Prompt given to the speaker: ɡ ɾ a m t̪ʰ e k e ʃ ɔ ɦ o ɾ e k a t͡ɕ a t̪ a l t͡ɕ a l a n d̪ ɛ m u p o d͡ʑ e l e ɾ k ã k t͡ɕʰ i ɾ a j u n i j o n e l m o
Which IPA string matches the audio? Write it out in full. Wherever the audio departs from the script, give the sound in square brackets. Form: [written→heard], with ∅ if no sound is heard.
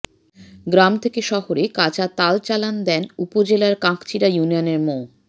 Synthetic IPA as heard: ɡ ɾ a m t̪ʰ e k e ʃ ɔ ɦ o ɾ e k a t͡ɕ a t̪ a l t͡ɕ a l a n d̪ ɛ [m→n] u p o d͡ʑ e l [e→a] ɾ k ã k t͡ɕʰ i ɾ a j u n i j o n e [l→ɾ] m o